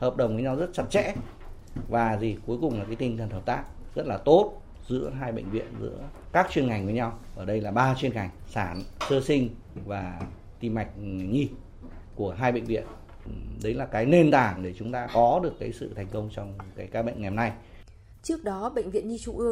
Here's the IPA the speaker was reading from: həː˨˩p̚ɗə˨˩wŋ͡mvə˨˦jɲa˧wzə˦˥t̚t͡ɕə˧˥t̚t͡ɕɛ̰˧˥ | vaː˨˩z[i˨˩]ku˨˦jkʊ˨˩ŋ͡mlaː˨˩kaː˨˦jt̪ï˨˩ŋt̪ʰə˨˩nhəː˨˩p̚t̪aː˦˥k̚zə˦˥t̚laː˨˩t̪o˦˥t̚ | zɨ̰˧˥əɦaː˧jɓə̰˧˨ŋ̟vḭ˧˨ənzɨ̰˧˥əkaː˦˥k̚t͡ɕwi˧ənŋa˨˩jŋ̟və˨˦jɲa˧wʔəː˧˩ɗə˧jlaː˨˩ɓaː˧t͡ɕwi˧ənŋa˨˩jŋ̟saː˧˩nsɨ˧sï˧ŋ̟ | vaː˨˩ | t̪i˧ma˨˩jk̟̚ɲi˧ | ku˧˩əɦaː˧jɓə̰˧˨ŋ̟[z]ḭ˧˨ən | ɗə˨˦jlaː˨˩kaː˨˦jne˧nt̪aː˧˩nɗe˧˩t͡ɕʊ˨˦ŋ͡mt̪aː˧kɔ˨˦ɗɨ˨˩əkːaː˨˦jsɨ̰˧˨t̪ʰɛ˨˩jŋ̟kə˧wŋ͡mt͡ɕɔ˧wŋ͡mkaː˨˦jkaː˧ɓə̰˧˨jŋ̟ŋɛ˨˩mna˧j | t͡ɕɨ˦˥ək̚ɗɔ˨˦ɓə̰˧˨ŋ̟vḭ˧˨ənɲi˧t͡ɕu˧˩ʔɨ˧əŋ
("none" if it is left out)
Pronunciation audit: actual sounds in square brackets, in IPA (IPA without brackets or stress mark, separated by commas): i˨˩, v